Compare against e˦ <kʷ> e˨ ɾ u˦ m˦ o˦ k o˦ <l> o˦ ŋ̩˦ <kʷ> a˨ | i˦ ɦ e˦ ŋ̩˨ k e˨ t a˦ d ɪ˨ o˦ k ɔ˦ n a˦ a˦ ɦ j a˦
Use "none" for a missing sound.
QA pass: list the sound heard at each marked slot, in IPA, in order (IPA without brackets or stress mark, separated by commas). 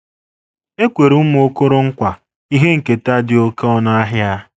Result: kʷ, ɾ, kʷ